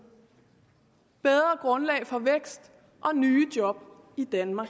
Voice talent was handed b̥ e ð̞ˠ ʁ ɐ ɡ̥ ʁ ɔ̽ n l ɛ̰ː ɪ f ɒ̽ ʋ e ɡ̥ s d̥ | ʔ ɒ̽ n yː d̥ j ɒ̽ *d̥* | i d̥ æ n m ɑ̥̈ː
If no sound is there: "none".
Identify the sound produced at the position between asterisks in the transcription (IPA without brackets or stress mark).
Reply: b̥